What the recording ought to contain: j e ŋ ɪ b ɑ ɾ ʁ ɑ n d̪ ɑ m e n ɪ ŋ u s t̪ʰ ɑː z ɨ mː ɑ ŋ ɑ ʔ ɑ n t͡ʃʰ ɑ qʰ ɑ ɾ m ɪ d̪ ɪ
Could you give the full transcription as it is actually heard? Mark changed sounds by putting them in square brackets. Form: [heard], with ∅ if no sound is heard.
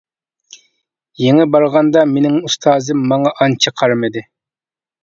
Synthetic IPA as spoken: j e ŋ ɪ b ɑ ɾ ʁ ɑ n d̪ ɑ m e n ɪ ŋ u s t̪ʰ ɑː z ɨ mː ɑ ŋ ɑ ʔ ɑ n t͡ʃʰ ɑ qʰ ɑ ɾ m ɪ d̪ ɪ